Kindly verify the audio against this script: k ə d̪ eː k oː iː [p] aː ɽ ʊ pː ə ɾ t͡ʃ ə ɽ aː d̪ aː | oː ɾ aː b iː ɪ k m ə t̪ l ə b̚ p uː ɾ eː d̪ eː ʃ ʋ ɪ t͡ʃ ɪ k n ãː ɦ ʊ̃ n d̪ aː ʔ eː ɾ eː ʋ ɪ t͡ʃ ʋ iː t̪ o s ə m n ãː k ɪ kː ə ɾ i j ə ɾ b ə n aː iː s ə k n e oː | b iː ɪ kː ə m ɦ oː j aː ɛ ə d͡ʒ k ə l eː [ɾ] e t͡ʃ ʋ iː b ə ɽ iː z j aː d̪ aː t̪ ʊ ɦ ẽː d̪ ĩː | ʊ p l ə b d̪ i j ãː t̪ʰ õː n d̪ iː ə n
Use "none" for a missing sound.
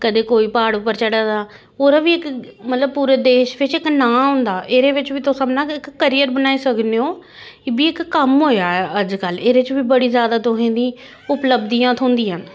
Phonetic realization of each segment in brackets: p, ɾ

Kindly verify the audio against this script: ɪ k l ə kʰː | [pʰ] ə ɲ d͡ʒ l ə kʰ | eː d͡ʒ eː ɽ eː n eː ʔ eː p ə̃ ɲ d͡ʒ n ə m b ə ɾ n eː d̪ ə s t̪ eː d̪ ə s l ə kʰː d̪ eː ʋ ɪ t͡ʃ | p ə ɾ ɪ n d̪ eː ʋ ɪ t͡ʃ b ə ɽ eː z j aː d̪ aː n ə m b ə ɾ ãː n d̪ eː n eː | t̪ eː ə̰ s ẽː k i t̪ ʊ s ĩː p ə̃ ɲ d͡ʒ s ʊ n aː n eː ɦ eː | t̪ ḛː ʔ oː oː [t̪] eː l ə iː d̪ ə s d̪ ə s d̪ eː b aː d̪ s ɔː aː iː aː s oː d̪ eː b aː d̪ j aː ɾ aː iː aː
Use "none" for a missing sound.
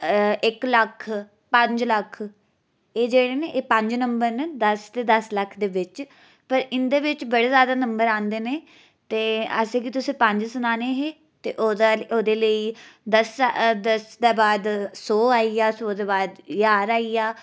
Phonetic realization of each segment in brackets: p, d̪

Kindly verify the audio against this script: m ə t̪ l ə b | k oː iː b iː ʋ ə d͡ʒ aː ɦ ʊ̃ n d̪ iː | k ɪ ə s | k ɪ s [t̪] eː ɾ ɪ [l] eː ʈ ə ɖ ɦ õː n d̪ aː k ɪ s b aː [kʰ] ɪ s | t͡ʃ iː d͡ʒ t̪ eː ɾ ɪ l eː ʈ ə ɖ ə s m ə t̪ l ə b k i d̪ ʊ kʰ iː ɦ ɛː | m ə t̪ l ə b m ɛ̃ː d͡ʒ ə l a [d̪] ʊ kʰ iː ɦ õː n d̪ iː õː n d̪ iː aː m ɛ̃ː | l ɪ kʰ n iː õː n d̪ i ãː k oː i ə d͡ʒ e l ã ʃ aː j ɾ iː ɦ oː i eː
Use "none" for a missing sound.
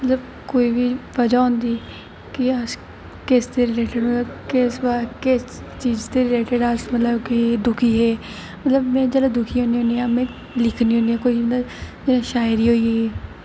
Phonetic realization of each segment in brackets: t̪, l, k, d̪

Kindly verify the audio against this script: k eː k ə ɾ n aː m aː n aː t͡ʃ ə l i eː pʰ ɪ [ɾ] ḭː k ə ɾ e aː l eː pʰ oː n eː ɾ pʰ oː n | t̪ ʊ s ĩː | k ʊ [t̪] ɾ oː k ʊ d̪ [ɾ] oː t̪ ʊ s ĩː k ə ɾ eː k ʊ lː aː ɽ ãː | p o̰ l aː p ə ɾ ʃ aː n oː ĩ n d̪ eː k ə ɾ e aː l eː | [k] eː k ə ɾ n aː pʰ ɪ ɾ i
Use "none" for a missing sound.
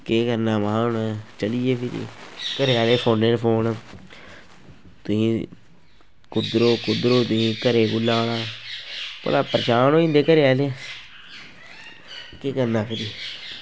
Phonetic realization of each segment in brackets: ɾ, d̪, ɾ, k

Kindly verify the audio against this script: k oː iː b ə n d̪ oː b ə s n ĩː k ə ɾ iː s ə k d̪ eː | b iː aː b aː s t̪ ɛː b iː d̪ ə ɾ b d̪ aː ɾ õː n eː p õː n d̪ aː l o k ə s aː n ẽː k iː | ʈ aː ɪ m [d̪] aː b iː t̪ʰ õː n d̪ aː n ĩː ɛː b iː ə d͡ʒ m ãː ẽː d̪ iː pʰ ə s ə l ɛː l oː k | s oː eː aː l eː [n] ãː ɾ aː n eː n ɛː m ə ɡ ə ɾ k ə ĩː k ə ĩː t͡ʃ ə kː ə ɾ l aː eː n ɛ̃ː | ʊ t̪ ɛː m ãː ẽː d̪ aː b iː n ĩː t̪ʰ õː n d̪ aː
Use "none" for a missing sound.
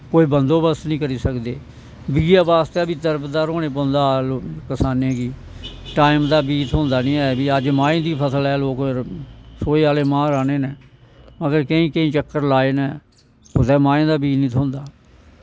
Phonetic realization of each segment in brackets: d̪, m

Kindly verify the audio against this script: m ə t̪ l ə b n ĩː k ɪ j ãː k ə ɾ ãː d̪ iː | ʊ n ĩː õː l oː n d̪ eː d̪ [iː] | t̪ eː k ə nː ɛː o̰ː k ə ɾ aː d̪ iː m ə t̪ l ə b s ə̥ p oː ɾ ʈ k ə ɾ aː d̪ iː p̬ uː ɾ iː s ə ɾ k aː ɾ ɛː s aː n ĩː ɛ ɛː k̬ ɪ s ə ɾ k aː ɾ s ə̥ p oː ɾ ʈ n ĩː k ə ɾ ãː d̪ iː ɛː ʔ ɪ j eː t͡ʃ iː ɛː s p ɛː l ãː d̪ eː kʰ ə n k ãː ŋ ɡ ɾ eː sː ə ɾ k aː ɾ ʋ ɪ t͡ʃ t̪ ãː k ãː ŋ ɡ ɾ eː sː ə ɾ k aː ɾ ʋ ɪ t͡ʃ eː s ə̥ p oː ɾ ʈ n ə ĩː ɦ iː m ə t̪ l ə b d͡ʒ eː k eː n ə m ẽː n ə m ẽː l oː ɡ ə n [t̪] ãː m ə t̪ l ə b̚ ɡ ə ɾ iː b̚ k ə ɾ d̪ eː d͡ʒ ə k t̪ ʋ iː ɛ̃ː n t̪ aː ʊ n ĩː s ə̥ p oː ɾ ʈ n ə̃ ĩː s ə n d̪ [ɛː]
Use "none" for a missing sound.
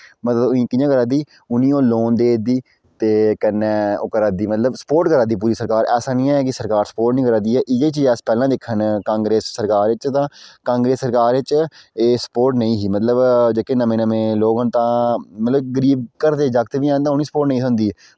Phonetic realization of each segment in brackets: iː, t̪, iː

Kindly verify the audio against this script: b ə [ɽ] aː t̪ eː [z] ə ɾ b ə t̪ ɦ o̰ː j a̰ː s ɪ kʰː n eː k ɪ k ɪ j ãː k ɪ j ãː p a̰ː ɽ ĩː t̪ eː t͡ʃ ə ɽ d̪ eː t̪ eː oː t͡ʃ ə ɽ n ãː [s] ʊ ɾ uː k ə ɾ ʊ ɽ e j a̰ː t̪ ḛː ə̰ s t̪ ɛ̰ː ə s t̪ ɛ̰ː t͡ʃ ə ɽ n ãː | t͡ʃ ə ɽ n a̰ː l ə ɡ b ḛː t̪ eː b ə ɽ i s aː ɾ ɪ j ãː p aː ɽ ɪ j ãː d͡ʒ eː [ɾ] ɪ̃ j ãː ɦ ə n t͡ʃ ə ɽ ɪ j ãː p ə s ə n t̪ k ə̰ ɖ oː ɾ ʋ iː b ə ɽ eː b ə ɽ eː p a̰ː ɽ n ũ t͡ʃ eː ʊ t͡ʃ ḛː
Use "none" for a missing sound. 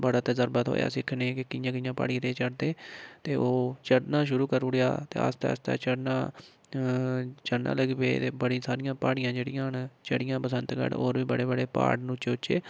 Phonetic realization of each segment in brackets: ɽ, z, ʃ, ɽ

